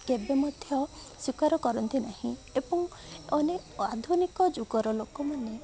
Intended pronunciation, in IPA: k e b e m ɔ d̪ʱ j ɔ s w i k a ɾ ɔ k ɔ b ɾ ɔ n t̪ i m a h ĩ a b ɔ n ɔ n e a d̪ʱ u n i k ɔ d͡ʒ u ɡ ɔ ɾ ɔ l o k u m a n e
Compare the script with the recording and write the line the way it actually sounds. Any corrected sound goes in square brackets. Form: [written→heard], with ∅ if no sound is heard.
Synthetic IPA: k e b e m ɔ d̪ʱ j ɔ s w i k a ɾ ɔ k ɔ [b→∅] ɾ ɔ n t̪ i [m→n] a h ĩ [a→e] b ɔ [n→ŋ] ɔ n e a d̪ʱ u n i k ɔ d͡ʒ u ɡ ɔ ɾ ɔ l o k [u→ɔ] m a n e